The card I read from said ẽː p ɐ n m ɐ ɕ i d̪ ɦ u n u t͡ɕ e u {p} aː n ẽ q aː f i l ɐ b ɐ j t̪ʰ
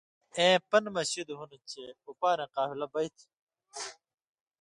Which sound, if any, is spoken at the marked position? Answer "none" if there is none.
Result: p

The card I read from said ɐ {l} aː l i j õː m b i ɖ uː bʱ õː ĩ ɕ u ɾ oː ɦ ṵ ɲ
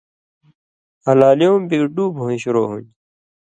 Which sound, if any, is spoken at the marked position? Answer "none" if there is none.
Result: l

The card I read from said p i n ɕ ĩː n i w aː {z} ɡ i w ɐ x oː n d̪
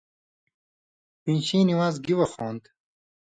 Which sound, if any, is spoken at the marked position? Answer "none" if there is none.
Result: z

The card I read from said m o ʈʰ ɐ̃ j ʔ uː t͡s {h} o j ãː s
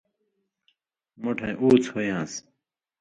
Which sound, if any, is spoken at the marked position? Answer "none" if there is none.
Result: h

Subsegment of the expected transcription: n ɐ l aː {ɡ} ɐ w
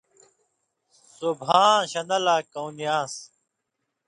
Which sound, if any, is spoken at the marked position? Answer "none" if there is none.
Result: k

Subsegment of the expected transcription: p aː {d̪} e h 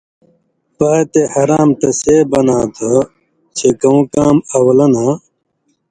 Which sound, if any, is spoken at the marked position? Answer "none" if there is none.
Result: t̪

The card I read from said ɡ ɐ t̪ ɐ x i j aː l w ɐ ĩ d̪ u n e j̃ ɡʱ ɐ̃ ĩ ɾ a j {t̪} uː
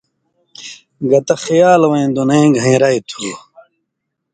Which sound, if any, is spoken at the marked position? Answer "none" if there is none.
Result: t̪ʰ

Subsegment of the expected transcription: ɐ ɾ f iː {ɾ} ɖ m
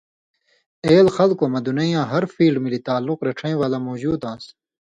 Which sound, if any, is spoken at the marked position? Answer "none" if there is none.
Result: l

